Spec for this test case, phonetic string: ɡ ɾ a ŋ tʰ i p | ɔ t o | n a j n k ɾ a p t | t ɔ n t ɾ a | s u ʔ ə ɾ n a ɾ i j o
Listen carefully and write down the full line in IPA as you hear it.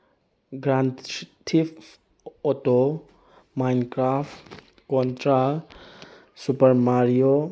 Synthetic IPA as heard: ɡ ɾ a n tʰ i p | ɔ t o | m a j n k ɾ a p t | k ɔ n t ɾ a | s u p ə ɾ m a ɾ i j o